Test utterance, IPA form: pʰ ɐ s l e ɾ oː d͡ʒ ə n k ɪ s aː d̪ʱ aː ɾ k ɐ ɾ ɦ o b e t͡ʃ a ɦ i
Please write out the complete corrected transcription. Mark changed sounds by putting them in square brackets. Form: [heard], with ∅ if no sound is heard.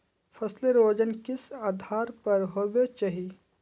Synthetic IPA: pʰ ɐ s l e ɾ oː d͡ʒ ə n k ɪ s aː d̪ʱ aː ɾ [p] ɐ ɾ ɦ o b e t͡ʃ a ɦ i